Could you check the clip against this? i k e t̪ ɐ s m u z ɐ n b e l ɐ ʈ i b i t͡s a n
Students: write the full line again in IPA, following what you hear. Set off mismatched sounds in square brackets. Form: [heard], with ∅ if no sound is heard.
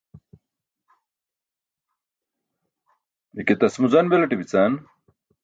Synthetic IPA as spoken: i k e t̪ ɐ s m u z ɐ n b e l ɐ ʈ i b i t͡s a n

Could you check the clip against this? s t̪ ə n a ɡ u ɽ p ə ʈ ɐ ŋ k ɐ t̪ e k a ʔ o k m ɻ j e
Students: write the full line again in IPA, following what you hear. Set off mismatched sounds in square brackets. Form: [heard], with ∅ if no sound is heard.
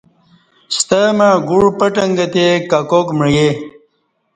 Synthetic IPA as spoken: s t̪ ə [m] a ɡ u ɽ p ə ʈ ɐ ŋ [ɡ] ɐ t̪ e k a [k] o k m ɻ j e

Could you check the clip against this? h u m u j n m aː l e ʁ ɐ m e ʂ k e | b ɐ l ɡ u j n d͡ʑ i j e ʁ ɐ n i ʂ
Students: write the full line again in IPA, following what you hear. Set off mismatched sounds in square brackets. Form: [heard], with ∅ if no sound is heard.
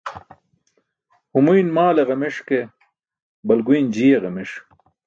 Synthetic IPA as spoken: h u m u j n m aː l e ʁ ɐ m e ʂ k e | b ɐ l ɡ u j n d͡ʑ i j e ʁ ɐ [m] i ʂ

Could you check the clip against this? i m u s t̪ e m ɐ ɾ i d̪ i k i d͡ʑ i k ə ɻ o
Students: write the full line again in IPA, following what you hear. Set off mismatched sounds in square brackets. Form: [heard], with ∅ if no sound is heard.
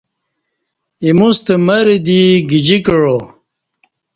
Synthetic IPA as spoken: i m u s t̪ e m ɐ ɾ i d̪ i [ɡ] i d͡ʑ i k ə ɻ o

